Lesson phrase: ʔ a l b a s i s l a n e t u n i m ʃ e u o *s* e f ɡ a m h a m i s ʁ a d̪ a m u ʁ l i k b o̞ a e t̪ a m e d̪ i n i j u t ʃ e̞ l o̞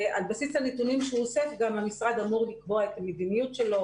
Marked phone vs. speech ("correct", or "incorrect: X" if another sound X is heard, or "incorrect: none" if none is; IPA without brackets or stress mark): correct